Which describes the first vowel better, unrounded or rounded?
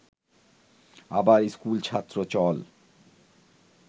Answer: unrounded